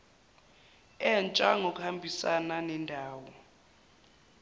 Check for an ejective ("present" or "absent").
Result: present